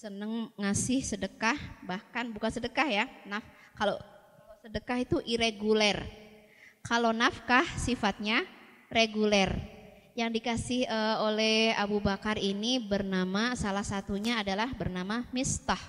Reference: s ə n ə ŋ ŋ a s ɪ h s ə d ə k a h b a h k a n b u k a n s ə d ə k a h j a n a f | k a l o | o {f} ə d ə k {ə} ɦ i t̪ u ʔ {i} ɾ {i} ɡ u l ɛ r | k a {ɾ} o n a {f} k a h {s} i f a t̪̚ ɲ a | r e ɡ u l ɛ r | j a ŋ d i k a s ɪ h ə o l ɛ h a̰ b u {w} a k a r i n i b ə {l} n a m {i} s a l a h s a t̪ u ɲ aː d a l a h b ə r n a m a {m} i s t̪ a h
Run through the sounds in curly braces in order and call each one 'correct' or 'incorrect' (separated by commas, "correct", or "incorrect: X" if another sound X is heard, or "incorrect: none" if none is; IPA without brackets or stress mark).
incorrect: s, incorrect: a, correct, incorrect: e, incorrect: l, correct, correct, incorrect: b, incorrect: r, incorrect: a, correct